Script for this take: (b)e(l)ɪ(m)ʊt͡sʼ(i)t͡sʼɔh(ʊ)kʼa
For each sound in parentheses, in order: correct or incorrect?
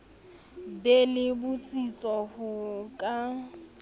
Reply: correct, correct, incorrect, correct, correct

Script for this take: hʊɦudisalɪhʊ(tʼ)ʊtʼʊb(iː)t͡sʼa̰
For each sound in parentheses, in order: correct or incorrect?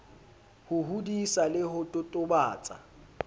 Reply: correct, incorrect

